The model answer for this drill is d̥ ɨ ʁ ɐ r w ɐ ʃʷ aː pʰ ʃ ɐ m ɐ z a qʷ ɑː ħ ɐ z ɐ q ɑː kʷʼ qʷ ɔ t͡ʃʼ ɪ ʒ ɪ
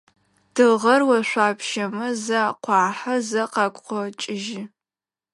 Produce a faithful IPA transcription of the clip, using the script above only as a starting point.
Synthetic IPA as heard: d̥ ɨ ʁ ɐ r w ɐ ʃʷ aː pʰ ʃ ɐ m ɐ z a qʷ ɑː ħ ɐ z ɐ q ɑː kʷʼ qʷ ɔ t͡ʃʼ ɪ ʒ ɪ